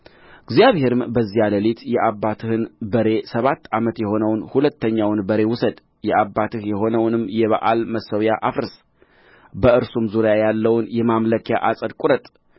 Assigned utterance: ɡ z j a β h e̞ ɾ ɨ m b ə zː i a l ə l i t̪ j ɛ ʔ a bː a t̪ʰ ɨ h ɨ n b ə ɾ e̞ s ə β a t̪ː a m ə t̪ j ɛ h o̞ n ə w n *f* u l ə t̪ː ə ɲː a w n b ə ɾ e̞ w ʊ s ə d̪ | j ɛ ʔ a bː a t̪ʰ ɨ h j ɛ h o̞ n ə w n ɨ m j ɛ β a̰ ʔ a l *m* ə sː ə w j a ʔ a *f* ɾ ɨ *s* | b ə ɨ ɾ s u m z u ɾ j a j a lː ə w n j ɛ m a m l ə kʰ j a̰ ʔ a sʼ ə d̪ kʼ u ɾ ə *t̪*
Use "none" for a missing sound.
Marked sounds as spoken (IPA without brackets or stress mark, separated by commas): h, m, f, s, t̪ʼ